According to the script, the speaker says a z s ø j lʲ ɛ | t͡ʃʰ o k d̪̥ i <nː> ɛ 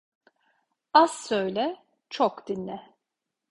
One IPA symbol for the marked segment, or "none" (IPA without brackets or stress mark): nː